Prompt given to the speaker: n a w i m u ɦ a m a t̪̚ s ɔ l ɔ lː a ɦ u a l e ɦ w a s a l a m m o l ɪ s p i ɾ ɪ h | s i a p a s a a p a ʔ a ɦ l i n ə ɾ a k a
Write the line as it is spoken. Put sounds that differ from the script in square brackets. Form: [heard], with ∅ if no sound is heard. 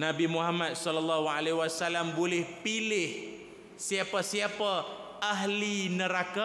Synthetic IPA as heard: n a [b] i m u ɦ a m a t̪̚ s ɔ l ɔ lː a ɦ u a l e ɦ w a s a l a m [b] o l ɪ [h] p i [l] ɪ h | s i a p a s [i] a p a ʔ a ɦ l i n ə ɾ a k a